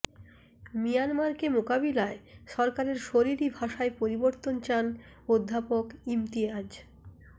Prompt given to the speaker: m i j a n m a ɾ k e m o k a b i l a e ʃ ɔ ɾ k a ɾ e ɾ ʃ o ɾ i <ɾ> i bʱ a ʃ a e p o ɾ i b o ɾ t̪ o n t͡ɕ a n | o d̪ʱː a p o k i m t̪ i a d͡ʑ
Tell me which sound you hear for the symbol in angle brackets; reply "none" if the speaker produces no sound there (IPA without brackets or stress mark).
ɾ